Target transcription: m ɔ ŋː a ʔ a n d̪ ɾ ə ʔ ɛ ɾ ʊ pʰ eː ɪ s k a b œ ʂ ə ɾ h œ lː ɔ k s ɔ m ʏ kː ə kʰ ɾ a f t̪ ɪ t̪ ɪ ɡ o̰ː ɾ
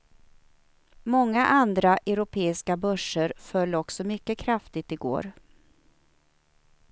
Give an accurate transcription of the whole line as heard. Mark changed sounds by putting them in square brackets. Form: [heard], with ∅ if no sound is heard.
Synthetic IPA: m ɔ ŋː a ʔ a n d̪ ɾ [a] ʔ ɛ ɾ ʊ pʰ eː ɪ s k a b œ ʂ ə ɾ [f] œ lː ɔ k s ɔ m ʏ kː ə kʰ ɾ a f t̪ ɪ t̪ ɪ ɡ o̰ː ɾ

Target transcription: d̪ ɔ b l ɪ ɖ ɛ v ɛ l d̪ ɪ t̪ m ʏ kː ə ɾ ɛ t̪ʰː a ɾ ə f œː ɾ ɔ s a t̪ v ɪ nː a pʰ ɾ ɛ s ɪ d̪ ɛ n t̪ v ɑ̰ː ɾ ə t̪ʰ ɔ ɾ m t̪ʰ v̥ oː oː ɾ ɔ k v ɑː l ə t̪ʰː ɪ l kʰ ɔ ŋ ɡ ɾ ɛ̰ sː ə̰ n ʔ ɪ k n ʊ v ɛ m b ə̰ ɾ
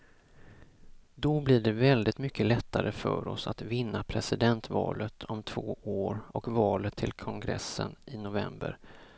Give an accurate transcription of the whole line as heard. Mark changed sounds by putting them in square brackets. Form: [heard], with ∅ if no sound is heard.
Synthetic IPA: d̪ ɔ b l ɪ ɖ ɛ v ɛ l d̪ ɪ t̪ m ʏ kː ə [l] ɛ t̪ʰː a ɾ ə f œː ɾ ɔ s a t̪ v ɪ nː a pʰ ɾ ɛ s ɪ d̪ ɛ n t̪ v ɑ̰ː [l] ə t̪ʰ ɔ [∅] m t̪ʰ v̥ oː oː ɾ ɔ k v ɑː l ə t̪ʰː ɪ l kʰ ɔ ŋ ɡ ɾ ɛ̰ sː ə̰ n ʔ ɪ [∅] n ʊ v ɛ m b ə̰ ɾ

